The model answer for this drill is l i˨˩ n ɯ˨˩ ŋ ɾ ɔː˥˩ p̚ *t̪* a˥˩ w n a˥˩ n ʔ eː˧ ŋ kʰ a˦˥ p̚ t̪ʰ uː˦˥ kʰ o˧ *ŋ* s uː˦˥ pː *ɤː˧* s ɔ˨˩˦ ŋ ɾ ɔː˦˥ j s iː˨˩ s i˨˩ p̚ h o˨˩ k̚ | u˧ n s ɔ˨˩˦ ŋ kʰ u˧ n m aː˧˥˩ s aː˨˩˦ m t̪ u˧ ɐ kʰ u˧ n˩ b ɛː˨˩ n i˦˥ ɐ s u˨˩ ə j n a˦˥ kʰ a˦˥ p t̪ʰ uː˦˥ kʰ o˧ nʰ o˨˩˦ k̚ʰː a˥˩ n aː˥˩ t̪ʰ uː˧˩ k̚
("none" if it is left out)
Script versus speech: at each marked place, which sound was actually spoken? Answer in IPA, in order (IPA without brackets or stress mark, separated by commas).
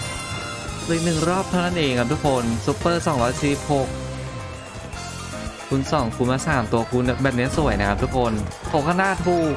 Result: t̪ʰ, n, ɤː˥˩